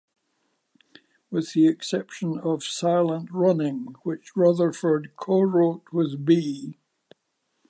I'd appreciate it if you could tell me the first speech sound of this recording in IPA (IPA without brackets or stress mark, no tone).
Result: w